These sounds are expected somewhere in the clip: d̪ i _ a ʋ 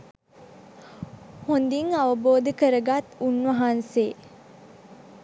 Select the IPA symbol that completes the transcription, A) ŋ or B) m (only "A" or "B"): A